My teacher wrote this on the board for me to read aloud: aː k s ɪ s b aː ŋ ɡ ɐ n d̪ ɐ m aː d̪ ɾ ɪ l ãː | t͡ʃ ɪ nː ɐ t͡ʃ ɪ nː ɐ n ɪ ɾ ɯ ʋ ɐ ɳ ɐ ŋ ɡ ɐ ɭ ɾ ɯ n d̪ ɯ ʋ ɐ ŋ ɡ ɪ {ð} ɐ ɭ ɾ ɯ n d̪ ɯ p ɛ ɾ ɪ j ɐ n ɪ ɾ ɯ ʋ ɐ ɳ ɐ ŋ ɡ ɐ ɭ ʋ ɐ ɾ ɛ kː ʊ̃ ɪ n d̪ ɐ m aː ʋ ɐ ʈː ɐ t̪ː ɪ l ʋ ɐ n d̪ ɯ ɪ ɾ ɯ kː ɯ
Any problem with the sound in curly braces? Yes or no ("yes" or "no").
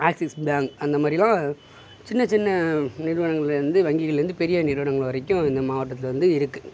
yes